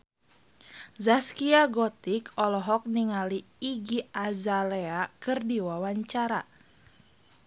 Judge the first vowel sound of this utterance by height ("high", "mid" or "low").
low